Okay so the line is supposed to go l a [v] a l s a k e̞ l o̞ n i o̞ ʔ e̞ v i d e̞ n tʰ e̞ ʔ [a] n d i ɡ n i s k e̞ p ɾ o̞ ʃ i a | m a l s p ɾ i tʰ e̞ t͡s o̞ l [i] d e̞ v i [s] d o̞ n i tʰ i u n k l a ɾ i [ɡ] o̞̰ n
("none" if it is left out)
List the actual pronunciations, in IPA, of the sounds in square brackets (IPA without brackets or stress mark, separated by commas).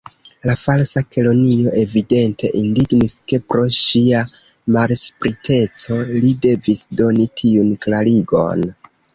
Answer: f, i, i, s, ɡ